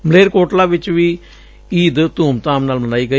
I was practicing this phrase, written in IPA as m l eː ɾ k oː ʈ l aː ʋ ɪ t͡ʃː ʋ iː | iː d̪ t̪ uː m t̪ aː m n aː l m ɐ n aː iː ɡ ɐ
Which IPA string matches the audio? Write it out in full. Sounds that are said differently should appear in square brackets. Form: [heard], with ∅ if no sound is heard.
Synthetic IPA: m l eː ɾ k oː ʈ l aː ʋ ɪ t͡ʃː ʋ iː | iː d̪ t̪ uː m t̪ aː m n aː l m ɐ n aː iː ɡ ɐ